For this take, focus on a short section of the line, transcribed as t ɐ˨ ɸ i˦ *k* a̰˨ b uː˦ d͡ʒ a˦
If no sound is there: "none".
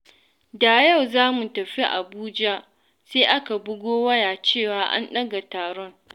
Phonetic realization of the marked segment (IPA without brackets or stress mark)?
ʔ